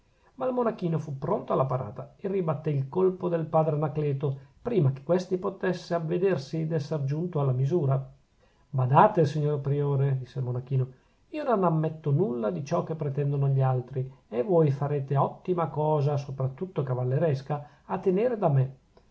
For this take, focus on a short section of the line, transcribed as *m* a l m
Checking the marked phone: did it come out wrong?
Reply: no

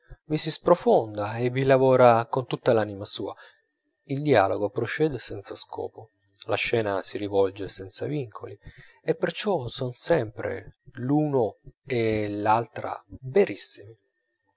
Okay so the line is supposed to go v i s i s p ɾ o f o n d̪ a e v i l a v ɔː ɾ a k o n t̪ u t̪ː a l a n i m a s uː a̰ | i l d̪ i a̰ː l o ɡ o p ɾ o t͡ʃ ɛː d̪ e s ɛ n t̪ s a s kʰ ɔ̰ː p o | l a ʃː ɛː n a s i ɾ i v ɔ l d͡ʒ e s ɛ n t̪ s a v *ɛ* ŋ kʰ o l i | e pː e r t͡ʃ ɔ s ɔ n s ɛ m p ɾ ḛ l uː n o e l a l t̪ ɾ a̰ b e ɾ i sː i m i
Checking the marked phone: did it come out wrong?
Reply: yes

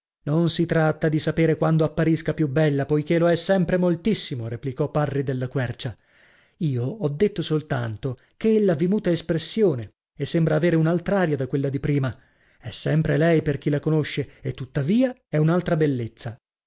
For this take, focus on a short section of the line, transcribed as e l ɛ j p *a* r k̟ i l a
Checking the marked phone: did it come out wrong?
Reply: yes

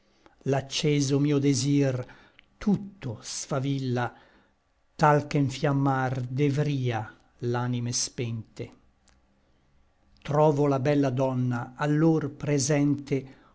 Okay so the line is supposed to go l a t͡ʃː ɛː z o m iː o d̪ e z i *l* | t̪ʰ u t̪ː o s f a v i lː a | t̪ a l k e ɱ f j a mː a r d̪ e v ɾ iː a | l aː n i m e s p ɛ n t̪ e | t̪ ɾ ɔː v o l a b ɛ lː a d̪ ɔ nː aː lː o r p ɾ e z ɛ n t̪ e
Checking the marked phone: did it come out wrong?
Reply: yes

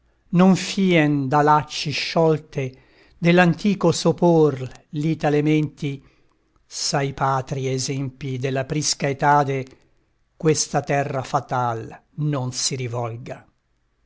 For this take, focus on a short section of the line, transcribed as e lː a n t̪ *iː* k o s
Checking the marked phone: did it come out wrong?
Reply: no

